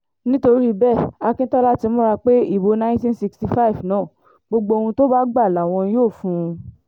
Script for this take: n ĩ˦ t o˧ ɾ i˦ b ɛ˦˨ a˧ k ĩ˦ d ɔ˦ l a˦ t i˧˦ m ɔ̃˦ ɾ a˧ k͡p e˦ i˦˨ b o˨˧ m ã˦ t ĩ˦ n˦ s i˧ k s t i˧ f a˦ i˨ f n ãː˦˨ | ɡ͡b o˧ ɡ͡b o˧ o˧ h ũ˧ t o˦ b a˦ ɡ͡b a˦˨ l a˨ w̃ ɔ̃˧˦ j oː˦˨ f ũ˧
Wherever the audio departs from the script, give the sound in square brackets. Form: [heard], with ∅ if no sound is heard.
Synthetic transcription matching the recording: n ĩ˦ t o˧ ɾ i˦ b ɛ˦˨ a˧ k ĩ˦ [t] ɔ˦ l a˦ t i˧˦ m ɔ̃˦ ɾ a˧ k͡p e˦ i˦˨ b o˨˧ [n] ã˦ t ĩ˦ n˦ s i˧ k s t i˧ f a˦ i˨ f n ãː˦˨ | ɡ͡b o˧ ɡ͡b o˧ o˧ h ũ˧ t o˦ b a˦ ɡ͡b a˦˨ l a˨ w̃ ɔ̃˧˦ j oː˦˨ f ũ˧